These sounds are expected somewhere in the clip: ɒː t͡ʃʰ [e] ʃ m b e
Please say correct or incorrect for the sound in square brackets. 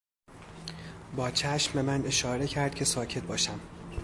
incorrect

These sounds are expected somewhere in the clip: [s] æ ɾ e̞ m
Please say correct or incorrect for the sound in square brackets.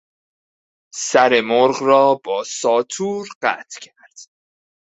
correct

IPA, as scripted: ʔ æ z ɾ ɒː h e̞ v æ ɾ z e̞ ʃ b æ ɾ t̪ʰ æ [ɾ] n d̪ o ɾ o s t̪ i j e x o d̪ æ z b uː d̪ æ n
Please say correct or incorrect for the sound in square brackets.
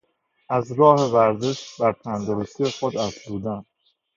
incorrect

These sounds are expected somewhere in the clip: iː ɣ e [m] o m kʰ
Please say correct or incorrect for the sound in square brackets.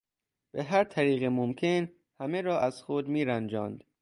correct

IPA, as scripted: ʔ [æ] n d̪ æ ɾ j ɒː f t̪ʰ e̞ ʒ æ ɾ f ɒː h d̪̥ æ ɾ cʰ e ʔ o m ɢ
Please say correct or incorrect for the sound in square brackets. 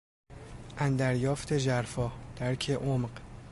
correct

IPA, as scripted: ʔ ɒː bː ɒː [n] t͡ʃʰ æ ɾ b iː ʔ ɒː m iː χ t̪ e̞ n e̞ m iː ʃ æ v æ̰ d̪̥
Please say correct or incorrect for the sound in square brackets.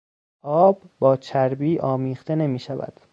incorrect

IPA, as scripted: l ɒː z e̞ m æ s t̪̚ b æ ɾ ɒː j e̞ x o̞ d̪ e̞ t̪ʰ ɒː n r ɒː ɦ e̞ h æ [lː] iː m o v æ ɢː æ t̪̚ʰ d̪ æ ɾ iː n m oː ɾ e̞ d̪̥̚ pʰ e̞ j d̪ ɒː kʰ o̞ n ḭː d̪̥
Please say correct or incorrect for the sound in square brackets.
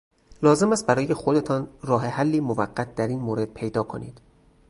correct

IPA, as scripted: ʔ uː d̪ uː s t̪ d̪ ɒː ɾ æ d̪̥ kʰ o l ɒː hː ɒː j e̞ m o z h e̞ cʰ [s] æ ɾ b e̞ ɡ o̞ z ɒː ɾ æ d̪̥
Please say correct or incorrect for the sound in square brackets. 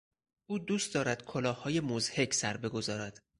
correct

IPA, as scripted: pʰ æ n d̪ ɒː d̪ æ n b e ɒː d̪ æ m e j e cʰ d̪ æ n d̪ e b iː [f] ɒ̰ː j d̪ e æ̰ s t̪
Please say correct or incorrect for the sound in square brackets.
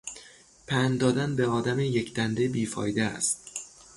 correct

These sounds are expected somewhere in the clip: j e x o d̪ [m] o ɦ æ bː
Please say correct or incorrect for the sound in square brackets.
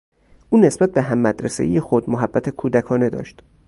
correct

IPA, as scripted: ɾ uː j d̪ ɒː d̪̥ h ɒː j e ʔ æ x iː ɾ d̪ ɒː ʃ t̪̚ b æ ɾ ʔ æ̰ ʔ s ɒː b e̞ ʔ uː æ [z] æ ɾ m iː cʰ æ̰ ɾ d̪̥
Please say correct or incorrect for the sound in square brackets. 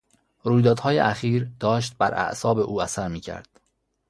incorrect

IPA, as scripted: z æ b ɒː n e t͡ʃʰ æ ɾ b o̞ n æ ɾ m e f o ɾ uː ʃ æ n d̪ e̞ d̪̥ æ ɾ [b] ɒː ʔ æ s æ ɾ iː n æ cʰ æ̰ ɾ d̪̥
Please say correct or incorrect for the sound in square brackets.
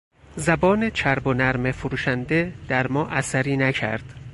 incorrect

